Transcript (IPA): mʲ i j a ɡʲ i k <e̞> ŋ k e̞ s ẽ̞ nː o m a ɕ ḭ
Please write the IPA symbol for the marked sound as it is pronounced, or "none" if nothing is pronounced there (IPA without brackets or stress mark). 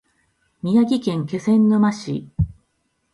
ẽ̞